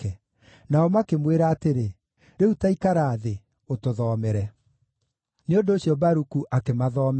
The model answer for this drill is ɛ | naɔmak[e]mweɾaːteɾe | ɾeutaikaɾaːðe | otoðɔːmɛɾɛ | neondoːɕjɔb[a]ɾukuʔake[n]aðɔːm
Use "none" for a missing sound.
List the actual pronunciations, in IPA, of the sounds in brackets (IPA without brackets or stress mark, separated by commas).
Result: e, a, m